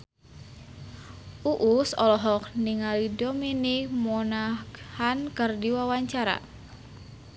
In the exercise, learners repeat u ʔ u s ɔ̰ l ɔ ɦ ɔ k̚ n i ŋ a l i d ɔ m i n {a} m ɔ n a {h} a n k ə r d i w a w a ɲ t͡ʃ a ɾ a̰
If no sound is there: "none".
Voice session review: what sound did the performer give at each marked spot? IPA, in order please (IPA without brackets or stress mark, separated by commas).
i, h